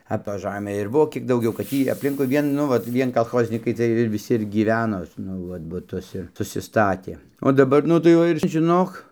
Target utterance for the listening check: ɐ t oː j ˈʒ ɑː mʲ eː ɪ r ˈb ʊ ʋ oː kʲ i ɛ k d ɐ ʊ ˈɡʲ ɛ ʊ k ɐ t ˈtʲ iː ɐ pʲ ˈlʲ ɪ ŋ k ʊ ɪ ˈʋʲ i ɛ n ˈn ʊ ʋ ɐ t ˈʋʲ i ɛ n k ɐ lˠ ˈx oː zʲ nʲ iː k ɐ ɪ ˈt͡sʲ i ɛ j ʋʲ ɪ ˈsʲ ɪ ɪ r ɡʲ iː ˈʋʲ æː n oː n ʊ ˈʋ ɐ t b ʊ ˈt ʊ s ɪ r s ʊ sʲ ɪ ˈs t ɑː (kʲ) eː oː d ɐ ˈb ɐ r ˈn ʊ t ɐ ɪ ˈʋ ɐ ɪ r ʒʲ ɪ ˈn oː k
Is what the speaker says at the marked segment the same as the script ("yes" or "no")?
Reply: no